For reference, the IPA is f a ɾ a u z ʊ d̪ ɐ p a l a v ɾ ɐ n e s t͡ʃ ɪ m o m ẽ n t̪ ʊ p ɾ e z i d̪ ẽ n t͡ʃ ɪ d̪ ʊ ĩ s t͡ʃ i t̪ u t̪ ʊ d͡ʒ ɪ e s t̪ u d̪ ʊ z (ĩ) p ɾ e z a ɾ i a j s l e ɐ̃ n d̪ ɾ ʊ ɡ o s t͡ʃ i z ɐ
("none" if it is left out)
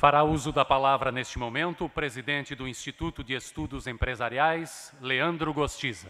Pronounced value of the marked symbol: ẽ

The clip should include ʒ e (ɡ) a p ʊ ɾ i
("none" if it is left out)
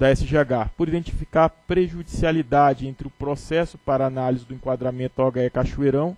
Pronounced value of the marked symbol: ɡ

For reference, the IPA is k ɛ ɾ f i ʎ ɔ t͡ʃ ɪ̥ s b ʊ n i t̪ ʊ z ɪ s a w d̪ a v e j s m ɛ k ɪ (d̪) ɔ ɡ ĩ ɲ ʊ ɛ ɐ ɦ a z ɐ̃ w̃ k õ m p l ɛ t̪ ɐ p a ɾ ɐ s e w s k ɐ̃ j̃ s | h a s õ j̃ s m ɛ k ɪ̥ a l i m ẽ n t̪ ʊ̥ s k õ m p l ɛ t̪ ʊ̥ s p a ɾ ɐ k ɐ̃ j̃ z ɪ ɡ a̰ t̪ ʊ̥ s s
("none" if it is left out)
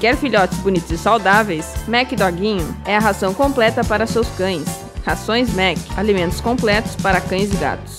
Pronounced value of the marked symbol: d̪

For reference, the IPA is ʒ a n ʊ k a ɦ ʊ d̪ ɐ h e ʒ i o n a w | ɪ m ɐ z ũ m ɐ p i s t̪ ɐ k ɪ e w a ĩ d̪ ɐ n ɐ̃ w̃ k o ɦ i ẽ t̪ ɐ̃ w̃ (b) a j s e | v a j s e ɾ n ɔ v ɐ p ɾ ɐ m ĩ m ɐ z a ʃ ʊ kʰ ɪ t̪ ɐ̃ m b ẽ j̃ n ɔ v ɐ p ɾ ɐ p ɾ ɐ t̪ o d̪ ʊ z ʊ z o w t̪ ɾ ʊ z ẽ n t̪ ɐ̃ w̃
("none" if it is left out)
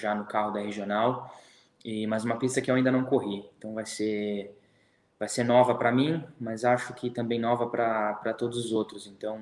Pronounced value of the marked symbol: v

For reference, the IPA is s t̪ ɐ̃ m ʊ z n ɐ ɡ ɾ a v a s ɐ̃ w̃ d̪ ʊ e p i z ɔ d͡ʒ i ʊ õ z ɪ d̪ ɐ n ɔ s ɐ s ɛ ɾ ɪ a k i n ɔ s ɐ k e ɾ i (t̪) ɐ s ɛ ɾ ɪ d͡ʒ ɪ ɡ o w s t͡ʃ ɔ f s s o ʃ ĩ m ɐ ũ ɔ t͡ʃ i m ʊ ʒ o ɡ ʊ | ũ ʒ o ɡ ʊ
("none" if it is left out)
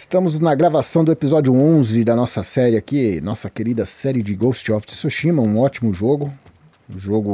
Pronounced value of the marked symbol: d̪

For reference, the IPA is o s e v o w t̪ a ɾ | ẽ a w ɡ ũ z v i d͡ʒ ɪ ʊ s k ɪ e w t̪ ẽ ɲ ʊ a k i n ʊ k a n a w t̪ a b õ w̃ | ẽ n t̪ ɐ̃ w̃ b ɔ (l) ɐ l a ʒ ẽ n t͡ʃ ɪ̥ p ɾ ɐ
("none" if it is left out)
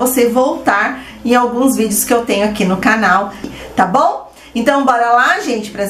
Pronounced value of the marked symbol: ɾ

